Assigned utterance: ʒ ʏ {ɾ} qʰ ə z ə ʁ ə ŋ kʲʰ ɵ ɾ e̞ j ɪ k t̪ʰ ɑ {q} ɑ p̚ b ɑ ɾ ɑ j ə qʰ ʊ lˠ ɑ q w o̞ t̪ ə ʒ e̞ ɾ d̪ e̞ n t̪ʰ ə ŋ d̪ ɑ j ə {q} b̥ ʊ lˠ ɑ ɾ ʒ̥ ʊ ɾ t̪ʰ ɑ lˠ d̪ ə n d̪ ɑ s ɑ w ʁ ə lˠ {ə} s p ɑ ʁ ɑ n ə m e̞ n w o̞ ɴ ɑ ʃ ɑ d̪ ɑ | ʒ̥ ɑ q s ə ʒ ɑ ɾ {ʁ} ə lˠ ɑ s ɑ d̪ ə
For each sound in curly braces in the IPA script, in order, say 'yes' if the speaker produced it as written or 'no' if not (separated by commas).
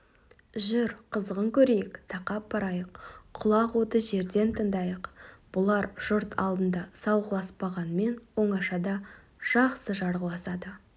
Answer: yes, yes, yes, no, yes